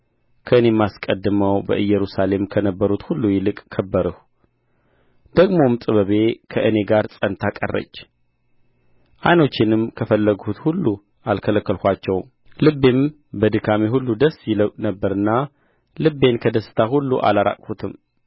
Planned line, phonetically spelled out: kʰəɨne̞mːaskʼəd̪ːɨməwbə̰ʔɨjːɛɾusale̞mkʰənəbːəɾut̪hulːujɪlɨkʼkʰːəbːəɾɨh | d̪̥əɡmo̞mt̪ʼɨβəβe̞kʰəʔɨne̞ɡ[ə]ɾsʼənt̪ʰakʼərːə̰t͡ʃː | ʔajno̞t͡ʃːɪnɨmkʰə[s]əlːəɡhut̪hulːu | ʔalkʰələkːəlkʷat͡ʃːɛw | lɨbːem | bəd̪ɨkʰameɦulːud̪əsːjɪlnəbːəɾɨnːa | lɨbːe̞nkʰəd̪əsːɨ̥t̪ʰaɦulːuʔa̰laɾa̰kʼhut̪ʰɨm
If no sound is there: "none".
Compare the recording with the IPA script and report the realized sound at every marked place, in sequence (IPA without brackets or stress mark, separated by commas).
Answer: a, f